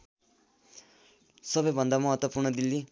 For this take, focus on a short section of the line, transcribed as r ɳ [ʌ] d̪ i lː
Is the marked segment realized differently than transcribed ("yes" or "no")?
no